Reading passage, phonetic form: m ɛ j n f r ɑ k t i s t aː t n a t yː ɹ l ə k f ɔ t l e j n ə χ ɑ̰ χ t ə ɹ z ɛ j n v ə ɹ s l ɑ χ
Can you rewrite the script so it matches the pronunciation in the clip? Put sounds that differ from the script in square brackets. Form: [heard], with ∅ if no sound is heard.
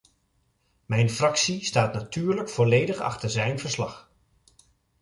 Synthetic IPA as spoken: m ɛ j n f r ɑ k [s] i s t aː t n a t yː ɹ l ə k f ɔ [∅] l e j [d] ə χ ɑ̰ χ t ə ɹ z ɛ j n v ə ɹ s l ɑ χ